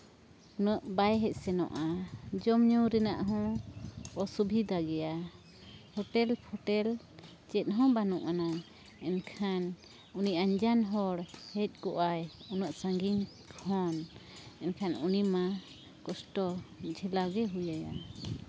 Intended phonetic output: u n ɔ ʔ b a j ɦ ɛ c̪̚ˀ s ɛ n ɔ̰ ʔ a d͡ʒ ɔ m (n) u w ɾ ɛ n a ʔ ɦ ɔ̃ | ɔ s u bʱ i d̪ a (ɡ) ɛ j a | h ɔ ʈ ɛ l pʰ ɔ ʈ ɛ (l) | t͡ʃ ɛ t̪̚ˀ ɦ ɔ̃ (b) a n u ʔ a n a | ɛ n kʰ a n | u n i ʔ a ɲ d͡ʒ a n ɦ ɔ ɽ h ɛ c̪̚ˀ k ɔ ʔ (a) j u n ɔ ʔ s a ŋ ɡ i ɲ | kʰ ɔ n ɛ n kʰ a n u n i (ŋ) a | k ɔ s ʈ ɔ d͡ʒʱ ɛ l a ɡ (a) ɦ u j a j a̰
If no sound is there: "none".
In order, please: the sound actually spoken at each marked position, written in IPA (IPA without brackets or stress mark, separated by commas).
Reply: ɲ, ɡ, l, b, a, m, ɛ